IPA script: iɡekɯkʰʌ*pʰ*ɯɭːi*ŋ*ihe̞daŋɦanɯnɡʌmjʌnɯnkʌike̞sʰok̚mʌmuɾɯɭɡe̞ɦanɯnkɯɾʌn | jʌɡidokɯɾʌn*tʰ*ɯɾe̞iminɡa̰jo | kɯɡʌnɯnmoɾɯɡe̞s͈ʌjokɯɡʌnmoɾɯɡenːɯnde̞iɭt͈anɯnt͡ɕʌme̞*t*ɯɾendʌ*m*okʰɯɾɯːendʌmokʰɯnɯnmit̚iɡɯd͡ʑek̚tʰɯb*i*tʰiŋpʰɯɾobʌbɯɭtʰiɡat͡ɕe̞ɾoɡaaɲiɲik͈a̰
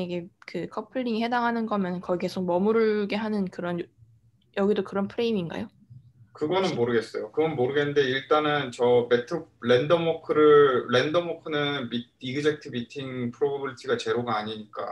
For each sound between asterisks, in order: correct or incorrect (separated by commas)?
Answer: correct, correct, incorrect, incorrect, correct, correct